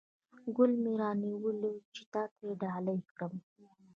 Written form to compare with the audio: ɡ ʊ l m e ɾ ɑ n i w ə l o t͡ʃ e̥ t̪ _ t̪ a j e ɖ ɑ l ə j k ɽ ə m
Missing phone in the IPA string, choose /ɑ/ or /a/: ɑ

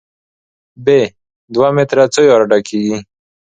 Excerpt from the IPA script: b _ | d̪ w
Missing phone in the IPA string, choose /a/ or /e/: e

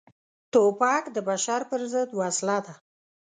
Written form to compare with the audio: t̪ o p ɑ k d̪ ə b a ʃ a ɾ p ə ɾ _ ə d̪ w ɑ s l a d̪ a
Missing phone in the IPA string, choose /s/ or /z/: z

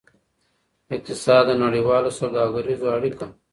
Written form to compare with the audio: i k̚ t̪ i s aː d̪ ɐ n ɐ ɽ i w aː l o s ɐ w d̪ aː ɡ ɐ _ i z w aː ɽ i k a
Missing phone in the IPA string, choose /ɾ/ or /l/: ɾ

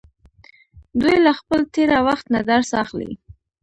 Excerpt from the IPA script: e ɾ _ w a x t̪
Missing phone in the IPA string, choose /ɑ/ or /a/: a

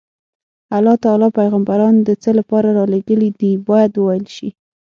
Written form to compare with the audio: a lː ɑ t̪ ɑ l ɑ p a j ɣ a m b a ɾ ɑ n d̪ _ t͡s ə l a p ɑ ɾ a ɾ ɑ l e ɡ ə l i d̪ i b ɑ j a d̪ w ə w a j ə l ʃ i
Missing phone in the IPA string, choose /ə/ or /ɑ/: ə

